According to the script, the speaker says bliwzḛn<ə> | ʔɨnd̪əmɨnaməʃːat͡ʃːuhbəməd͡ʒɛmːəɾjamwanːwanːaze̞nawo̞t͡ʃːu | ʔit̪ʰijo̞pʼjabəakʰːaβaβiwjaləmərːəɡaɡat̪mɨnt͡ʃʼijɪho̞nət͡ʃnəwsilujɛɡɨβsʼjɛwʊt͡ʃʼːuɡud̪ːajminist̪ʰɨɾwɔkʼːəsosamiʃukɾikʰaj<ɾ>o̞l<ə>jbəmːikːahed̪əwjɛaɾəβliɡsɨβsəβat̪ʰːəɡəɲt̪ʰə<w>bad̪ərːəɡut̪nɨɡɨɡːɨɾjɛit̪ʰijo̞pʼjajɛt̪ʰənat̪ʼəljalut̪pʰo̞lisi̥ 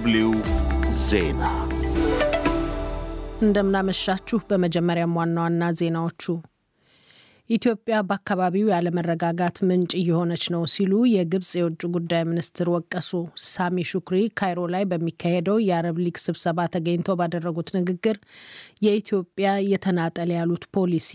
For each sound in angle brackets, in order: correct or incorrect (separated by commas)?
incorrect, correct, incorrect, correct